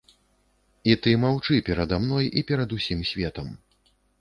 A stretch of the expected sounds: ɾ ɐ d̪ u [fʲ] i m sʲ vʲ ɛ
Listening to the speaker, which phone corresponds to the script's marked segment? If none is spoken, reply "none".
sʲ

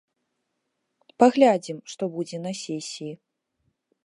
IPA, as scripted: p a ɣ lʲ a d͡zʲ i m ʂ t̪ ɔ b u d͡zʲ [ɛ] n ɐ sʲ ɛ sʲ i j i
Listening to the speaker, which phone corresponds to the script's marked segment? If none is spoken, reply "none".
ɛ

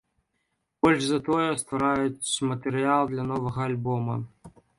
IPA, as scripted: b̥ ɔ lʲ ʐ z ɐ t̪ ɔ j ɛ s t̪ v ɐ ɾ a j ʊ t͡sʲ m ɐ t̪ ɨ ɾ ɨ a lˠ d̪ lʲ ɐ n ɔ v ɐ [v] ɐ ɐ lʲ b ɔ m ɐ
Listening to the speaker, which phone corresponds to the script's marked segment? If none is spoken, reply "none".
ɣ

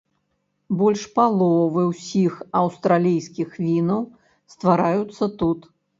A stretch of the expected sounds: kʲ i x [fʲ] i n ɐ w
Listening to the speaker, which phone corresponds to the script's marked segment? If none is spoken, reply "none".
vʲ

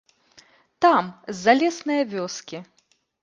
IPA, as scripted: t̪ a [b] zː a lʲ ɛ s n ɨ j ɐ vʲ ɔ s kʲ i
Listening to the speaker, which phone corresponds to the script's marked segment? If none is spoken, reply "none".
m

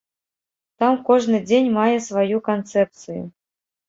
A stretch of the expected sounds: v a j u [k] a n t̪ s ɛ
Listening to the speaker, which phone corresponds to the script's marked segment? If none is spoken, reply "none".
k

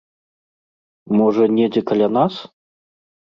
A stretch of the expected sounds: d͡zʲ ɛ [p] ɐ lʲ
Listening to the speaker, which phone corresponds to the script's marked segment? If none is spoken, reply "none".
k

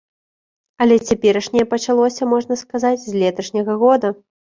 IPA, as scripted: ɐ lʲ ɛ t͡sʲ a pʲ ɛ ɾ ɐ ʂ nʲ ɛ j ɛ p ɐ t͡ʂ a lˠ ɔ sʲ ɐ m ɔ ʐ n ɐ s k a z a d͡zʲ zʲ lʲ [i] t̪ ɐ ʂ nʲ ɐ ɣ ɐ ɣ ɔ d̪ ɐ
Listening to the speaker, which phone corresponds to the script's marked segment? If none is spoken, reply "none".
ɛ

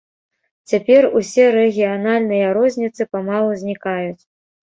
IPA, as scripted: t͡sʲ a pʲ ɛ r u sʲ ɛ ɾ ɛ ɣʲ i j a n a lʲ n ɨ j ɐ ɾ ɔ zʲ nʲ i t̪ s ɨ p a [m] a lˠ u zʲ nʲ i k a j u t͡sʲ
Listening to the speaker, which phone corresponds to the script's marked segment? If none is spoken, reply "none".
m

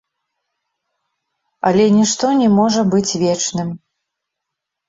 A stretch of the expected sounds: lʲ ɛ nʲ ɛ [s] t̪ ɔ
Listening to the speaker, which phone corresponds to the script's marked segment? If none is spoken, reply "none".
ʂ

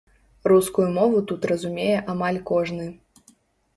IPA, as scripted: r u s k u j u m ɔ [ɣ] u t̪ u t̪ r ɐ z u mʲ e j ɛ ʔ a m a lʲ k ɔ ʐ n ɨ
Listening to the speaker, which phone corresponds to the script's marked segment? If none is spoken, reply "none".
v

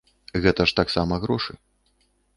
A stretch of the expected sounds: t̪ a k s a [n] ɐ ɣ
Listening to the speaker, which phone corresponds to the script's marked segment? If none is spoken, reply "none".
m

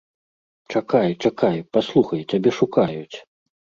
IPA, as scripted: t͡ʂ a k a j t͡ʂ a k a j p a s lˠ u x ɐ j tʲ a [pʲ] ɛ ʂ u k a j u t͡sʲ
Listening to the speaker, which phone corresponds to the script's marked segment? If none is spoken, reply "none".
bʲ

